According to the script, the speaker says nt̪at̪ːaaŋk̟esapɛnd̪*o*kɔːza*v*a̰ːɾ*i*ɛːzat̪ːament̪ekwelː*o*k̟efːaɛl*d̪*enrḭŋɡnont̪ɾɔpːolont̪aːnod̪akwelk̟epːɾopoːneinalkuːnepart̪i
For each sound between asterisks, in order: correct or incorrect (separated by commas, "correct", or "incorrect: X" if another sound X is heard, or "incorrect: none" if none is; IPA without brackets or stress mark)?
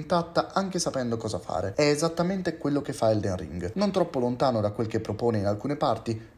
correct, incorrect: f, incorrect: e, correct, correct